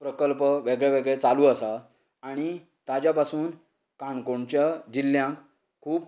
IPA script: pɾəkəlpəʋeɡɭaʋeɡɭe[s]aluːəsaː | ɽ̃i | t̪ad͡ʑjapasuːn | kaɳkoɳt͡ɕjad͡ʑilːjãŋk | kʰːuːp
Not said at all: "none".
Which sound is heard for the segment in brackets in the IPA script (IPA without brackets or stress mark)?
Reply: t͡s